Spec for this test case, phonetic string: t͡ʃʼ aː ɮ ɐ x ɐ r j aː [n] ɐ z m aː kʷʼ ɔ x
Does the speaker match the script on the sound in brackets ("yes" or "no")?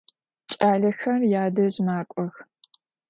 no